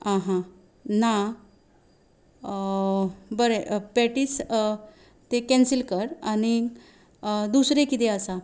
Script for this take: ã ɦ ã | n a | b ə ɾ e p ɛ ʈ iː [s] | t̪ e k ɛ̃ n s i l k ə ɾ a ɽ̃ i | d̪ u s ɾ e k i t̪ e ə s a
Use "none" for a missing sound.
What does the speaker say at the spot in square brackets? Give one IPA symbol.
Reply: s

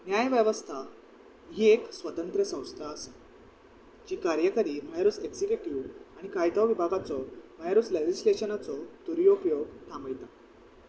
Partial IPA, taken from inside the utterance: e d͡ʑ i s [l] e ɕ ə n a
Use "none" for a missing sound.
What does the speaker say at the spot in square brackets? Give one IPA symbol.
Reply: l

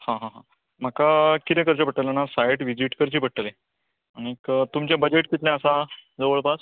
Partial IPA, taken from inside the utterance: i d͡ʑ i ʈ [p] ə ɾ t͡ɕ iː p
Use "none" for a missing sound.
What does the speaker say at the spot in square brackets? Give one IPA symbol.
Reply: k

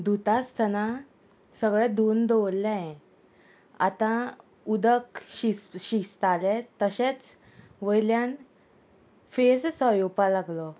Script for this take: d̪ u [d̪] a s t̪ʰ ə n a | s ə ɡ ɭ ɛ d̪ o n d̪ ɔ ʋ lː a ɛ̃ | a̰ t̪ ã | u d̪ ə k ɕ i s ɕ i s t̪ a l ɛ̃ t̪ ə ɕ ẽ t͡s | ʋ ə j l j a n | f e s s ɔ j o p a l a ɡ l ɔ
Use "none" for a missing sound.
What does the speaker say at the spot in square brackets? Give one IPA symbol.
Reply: t̪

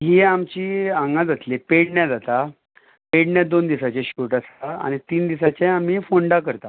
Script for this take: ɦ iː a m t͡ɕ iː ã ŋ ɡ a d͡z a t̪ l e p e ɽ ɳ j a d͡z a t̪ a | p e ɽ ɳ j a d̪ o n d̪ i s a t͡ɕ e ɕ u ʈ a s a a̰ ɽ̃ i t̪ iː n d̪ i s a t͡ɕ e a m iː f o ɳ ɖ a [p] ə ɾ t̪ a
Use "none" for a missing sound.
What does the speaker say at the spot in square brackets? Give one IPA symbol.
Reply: k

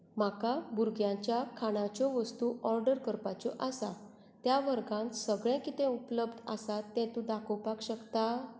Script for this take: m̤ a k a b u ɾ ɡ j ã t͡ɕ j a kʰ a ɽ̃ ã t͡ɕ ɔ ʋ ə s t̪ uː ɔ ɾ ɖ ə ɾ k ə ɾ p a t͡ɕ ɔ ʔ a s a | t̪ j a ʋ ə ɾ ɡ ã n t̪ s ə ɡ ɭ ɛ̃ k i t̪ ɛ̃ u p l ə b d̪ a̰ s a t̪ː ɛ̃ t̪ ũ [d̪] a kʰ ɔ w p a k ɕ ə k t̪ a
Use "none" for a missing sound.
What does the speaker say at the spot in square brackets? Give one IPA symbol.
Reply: d̪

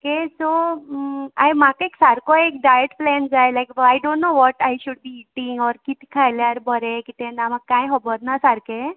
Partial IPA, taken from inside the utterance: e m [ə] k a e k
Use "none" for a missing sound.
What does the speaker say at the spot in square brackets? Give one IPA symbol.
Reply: a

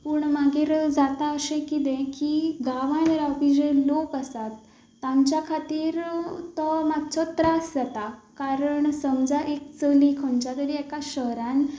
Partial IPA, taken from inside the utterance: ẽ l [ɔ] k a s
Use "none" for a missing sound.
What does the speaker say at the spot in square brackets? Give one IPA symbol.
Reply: o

